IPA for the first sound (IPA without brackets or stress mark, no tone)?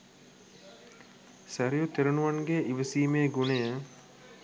s